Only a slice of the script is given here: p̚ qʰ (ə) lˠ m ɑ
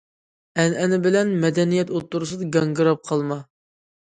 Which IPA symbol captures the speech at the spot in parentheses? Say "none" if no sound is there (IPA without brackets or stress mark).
ɑ